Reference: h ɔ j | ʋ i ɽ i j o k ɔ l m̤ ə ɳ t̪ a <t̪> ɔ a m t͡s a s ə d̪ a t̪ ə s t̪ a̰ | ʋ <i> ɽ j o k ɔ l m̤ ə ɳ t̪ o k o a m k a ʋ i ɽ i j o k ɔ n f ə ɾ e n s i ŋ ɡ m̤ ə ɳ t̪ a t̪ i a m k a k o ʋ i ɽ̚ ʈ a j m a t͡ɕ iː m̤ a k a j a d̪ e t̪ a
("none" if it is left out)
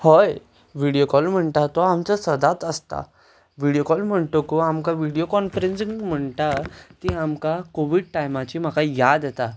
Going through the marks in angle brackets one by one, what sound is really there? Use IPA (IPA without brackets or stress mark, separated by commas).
t̪, i